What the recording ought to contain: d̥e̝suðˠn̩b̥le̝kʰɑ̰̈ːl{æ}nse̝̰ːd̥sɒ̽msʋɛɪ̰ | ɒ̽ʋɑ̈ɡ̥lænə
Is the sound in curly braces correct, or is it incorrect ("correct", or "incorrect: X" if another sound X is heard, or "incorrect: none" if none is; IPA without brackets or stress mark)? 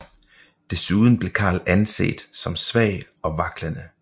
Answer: correct